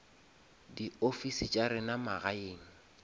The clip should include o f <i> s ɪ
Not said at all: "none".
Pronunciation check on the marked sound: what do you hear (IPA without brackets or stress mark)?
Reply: i